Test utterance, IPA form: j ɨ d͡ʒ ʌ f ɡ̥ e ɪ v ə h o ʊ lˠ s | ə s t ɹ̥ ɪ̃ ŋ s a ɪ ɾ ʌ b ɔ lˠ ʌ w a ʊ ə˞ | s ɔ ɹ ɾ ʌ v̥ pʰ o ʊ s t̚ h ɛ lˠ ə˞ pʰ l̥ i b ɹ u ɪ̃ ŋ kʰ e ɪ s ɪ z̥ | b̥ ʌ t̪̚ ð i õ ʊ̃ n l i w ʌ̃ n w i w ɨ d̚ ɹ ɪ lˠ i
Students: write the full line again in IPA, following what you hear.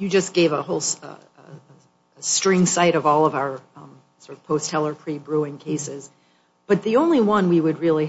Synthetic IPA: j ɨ d͡ʒ ʌ s ɡ̥ e ɪ v ə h o ʊ lˠ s | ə s t ɹ̥ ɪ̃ ŋ s a ɪ ɾ ʌ v ɔ lˠ ʌ v a ʊ ə˞ | s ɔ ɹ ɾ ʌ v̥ pʰ o ʊ s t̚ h ɛ lˠ ə˞ pʰ ɹ̥ i b ɹ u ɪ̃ ŋ kʰ e ɪ s ɪ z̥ | b̥ ʌ t̪̚ ð i õ ʊ̃ n l i w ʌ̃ n w i w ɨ d̚ ɹ ɪ lˠ i

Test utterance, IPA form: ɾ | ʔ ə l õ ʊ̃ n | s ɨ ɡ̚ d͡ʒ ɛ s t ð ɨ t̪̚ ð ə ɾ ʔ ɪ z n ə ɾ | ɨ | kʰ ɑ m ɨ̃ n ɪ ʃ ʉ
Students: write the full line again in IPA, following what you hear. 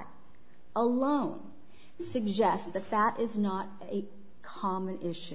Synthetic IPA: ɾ | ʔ ə l õ ʊ̃ n | s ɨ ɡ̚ d͡ʒ ɛ s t ð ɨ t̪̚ ð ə ɾ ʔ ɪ z n ə ɾ | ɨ | kʰ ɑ m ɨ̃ n ɪ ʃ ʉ

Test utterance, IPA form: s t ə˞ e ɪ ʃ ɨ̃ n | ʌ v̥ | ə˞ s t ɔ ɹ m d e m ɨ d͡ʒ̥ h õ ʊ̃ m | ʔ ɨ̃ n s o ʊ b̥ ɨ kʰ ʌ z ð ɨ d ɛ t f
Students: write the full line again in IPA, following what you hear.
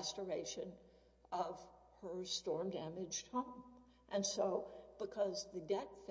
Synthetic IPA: s t ə˞ e ɪ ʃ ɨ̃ n | ʌ v̥ | ə˞ s t ɔ ɹ m d æ m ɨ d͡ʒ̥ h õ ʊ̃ m | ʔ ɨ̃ n s o ʊ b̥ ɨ kʰ ʌ z ð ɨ d ɛ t f

